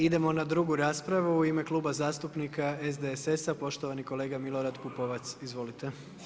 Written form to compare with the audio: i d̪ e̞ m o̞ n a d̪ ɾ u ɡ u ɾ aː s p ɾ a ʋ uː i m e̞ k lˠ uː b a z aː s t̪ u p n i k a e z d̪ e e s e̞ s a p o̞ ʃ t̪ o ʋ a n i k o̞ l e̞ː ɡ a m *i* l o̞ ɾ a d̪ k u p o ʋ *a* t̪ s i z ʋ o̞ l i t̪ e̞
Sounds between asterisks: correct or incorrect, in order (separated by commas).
correct, correct